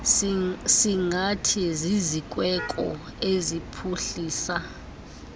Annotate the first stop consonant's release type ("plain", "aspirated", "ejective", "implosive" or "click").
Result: aspirated